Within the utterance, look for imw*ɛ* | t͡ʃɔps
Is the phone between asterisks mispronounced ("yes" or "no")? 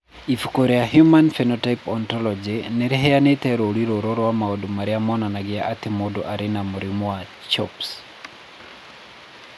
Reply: yes